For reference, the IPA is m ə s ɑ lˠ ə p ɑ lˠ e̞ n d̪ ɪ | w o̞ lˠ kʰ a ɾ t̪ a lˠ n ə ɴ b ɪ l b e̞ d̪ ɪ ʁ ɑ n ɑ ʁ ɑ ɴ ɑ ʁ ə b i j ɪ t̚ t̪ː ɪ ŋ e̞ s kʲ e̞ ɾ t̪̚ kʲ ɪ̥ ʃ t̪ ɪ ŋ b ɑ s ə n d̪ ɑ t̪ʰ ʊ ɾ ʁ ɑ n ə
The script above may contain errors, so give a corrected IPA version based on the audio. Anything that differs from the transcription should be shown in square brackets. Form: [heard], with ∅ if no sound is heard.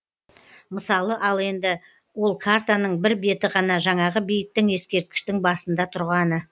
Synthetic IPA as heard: m ə s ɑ lˠ ə [ʔ] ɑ lˠ e̞ n d̪ ɪ | w o̞ lˠ kʰ a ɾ t̪ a [∅] n ə ɴ b ɪ [ɾ] b e̞ [t̪] ɪ ʁ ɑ n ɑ [ʒ] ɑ ɴ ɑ ʁ ə b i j ɪ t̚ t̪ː ɪ ŋ e̞ s kʲ e̞ ɾ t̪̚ kʲ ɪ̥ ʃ t̪ ɪ ŋ b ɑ s ə n d̪ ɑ t̪ʰ ʊ ɾ ʁ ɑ n ə

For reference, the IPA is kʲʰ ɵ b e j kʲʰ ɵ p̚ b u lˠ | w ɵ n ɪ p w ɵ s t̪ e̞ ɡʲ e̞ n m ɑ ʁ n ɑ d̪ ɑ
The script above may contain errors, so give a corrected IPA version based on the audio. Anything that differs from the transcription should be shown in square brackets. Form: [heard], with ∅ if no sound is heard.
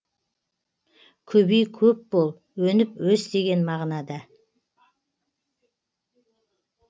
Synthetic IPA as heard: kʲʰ ɵ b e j kʲʰ ɵ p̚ b [o] lˠ | w ɵ n ɪ p w ɵ s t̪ e̞ ɡʲ e̞ n m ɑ ʁ n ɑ d̪ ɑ

